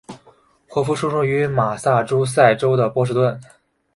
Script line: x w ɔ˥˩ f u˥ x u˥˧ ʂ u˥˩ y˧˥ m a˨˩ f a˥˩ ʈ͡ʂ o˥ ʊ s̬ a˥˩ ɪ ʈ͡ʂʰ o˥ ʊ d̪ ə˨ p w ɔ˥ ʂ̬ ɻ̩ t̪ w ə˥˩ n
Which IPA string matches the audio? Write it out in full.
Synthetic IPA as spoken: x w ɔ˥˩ f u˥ ʂ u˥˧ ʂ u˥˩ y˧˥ m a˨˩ s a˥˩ ʈ͡ʂ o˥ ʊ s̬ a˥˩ ɪ ʈ͡ʂ o˥ ʊ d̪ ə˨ p w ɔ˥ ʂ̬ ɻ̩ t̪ w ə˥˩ n